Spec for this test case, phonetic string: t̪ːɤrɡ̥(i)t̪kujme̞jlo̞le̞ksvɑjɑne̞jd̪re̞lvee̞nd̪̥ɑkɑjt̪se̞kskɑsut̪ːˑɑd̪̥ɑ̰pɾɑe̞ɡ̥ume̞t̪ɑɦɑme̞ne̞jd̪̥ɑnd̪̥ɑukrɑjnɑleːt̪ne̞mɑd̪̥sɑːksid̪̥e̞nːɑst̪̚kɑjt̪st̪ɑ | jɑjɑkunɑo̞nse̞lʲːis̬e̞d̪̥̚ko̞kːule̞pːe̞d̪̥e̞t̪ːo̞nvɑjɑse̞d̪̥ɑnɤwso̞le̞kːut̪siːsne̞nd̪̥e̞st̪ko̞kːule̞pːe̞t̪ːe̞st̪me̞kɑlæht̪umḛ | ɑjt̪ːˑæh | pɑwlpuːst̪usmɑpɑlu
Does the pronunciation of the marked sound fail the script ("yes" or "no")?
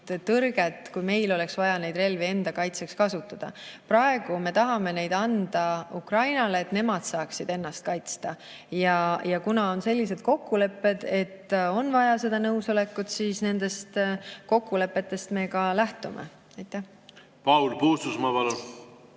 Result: yes